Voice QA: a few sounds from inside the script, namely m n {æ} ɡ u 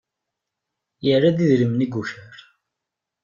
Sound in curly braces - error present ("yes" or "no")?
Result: yes